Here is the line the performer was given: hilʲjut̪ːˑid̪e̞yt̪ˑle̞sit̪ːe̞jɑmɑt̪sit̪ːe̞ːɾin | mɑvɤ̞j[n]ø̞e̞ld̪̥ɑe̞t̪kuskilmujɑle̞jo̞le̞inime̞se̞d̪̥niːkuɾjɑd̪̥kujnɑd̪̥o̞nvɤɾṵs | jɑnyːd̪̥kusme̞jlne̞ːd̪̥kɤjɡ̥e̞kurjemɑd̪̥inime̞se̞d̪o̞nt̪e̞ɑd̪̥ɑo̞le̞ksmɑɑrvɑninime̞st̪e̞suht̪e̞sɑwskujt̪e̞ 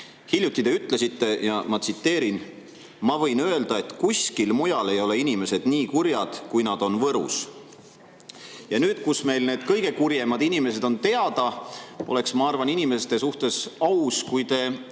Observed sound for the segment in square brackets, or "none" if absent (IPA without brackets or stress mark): n